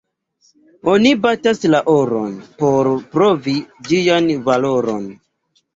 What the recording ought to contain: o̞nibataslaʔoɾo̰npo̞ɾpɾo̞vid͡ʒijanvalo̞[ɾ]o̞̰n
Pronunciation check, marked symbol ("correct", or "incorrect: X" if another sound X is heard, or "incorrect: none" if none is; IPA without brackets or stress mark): correct